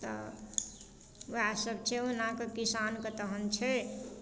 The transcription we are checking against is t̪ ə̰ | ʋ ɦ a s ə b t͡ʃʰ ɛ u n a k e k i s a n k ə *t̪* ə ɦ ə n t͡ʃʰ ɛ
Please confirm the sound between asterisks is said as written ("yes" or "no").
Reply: yes